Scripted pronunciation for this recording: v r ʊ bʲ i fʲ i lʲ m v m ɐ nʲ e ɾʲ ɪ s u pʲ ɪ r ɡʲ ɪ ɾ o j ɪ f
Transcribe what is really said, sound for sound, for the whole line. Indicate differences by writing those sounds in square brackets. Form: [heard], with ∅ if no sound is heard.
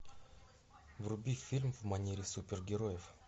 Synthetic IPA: v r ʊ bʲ i fʲ i lʲ m v m ɐ nʲ e ɾʲ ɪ s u pʲ ɪ r ɡʲ ɪ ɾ o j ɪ f